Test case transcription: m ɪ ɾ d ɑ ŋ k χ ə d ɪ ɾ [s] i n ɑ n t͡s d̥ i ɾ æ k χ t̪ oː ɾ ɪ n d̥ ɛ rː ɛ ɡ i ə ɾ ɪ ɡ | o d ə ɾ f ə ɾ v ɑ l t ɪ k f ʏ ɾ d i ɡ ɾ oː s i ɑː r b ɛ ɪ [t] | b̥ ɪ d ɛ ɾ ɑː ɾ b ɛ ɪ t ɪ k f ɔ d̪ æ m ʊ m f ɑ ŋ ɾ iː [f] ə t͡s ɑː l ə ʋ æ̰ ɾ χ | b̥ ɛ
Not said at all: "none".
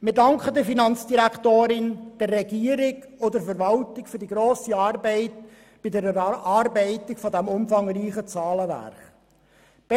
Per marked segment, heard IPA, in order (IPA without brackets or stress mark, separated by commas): f, t, χ